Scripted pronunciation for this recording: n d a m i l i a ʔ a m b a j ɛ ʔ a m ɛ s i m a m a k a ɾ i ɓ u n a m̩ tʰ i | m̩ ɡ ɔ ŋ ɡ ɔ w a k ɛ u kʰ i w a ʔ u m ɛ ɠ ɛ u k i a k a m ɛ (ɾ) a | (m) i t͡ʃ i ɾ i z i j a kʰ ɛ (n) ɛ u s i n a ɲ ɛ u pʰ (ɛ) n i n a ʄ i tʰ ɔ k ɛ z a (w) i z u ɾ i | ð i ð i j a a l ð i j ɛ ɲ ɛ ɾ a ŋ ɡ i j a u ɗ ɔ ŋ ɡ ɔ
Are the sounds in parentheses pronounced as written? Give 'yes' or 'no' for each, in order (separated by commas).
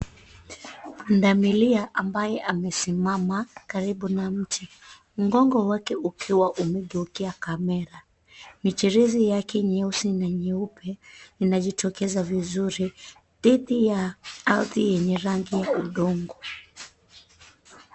yes, yes, no, yes, no